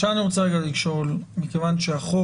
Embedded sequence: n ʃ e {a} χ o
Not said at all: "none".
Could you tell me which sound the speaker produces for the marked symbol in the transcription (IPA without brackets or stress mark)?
a